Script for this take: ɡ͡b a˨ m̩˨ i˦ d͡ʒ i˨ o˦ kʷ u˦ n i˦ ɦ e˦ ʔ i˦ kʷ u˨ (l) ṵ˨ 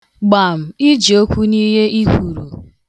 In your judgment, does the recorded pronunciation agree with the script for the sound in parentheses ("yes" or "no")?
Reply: no